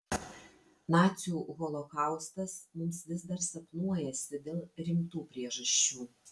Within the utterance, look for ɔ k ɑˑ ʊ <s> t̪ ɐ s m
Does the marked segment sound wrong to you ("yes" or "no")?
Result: no